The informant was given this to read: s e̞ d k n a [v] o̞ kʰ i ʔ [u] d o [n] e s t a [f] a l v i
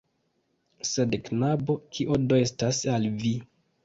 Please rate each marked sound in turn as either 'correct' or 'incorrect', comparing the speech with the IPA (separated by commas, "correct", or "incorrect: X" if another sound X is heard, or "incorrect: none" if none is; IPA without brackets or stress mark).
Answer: incorrect: b, incorrect: o, incorrect: none, incorrect: s